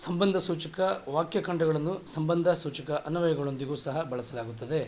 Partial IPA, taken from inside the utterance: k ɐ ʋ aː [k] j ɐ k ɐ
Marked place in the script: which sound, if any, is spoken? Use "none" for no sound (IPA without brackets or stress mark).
k